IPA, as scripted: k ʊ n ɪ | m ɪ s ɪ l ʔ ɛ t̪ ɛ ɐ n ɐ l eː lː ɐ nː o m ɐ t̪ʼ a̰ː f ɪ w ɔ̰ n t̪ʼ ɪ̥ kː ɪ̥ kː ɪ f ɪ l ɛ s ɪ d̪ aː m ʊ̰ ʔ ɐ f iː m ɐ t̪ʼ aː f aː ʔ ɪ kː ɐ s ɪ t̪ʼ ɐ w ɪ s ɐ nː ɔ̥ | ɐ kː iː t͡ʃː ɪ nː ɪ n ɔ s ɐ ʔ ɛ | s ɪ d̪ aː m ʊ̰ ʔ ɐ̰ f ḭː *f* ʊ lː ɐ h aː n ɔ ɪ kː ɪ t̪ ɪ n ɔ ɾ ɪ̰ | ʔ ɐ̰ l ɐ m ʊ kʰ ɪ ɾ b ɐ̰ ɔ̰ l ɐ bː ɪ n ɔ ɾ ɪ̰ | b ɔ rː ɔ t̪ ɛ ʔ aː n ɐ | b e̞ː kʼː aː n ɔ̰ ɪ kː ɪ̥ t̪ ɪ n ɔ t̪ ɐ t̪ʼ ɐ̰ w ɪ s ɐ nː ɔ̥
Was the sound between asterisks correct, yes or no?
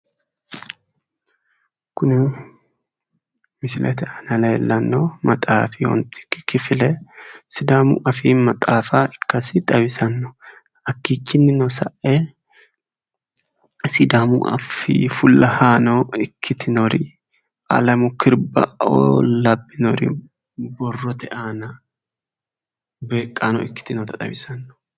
yes